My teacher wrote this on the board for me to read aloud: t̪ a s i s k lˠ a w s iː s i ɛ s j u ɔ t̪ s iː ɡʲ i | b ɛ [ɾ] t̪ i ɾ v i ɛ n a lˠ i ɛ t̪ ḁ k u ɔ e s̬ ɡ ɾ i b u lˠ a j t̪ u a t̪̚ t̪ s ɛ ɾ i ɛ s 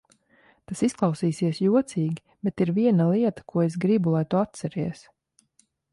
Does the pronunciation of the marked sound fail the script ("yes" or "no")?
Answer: yes